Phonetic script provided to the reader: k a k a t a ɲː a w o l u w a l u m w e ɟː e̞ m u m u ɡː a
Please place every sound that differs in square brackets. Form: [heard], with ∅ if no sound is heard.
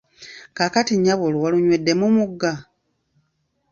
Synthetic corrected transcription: k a k a t [i] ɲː a [β] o l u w a l u [ɲ] w e [dː] e̞ m u m u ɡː a